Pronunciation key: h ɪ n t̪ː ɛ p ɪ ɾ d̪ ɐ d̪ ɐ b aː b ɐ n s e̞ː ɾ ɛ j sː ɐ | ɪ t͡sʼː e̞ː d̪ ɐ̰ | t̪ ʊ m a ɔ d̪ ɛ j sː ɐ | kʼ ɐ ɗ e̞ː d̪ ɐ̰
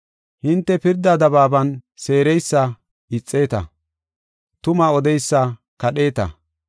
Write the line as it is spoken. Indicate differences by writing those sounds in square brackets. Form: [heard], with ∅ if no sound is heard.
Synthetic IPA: h ɪ n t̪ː ɛ p ɪ ɾ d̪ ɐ d̪ ɐ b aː b ɐ n s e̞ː ɾ ɛ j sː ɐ | ɪ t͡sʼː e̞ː [t̪] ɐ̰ | t̪ ʊ m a ɔ d̪ ɛ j sː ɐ | [k] ɐ ɗ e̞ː [t̪] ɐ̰